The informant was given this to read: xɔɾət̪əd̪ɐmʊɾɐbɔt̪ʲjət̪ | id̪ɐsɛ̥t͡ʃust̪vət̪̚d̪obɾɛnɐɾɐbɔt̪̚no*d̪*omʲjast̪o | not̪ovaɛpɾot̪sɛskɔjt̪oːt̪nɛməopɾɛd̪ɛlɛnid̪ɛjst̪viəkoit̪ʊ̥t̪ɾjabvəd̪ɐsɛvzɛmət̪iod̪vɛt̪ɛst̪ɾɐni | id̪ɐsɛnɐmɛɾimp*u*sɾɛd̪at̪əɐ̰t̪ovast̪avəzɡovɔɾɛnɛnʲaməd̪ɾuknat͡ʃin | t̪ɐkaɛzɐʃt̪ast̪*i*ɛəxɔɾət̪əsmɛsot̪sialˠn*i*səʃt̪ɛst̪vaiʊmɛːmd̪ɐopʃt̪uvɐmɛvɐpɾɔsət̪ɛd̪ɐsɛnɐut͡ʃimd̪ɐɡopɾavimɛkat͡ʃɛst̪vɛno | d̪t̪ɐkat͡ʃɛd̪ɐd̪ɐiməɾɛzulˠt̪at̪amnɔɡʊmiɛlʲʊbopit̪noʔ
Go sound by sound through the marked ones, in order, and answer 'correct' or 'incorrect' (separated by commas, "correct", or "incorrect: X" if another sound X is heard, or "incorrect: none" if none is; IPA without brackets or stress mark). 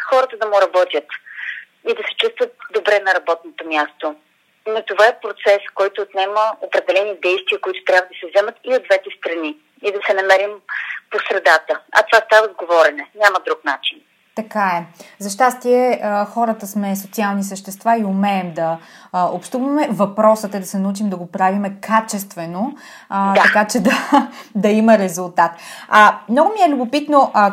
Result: incorrect: t̪, incorrect: o, correct, correct